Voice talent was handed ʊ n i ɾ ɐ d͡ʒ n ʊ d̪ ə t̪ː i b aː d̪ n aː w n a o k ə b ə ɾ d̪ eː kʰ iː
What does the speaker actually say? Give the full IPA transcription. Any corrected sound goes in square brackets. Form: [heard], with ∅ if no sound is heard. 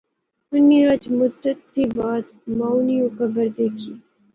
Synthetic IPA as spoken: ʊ n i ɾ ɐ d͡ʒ [m] ʊ d̪ ə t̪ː i b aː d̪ [m] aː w n [i] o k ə b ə ɾ d̪ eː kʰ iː